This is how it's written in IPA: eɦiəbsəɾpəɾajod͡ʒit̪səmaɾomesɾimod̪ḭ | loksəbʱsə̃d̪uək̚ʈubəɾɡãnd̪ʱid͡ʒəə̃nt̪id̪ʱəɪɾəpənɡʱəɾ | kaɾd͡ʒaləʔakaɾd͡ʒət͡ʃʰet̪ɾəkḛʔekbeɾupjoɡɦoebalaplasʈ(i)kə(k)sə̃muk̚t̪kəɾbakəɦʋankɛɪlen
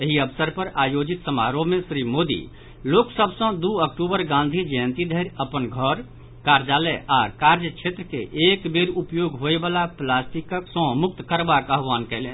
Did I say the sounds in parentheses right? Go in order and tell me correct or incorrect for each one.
correct, correct

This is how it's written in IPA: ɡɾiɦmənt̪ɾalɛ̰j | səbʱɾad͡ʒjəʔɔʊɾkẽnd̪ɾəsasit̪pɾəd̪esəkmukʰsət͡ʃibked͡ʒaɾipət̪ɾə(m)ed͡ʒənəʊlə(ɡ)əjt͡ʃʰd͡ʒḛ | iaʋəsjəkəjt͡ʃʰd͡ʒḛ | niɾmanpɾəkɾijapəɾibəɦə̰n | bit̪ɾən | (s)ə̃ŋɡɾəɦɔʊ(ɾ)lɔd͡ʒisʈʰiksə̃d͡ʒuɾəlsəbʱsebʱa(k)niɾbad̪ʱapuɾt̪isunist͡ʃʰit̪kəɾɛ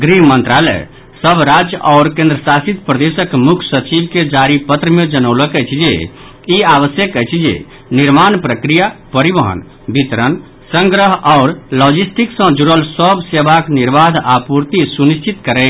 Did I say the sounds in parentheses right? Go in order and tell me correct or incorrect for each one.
correct, incorrect: k, correct, correct, correct

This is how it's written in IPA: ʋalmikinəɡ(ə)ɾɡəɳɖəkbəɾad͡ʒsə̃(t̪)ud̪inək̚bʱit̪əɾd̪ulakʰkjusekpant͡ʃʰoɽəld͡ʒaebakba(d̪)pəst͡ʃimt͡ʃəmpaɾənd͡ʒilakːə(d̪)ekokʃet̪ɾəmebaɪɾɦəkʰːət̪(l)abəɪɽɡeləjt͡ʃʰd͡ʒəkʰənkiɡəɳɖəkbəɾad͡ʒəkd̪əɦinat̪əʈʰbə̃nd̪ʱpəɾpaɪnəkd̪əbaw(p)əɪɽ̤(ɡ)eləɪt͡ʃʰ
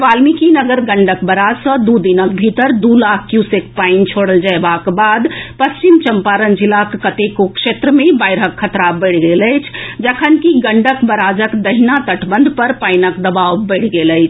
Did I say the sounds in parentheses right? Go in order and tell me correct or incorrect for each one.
correct, incorrect: d̪, correct, incorrect: t̪, incorrect: ɾ, incorrect: b, correct

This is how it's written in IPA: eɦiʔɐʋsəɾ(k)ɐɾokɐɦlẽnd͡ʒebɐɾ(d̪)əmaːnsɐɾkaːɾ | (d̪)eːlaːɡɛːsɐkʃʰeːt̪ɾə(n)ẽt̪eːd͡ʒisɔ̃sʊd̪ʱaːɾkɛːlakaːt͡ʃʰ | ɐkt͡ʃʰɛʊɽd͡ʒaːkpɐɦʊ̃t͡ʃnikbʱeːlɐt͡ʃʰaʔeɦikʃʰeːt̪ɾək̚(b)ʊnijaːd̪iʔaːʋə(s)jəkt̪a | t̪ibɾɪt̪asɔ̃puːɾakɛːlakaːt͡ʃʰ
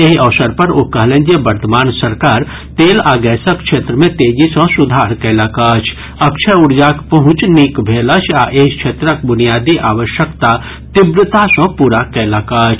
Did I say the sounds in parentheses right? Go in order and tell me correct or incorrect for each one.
incorrect: p, incorrect: t̪, incorrect: t̪, incorrect: m, correct, incorrect: ʃ

